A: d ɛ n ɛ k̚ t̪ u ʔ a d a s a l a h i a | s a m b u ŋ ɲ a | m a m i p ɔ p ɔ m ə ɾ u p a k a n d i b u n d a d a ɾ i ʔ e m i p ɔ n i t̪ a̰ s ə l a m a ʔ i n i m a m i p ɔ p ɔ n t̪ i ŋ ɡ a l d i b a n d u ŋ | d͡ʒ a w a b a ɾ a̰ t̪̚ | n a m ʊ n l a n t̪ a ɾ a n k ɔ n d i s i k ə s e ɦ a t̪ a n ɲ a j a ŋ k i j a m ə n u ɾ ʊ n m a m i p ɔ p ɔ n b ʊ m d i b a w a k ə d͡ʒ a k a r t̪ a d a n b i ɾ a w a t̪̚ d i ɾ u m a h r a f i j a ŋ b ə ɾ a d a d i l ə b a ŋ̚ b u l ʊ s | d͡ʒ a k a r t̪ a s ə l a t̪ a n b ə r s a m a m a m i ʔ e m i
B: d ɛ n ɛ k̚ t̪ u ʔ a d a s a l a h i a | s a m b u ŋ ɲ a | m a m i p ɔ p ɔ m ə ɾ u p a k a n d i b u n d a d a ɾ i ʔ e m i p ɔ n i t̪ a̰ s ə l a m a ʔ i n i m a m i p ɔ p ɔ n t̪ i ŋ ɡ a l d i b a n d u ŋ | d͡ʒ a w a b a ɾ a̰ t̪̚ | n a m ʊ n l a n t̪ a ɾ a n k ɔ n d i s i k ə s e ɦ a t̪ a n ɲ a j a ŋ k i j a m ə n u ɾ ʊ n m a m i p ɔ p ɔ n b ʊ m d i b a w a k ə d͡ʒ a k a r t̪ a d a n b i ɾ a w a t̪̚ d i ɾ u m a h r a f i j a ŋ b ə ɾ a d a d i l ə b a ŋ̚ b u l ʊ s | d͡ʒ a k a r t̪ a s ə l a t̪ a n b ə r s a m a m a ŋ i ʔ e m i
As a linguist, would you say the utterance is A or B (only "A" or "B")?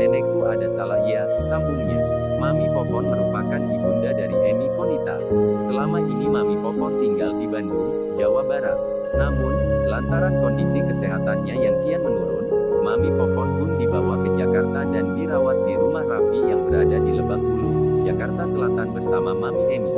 A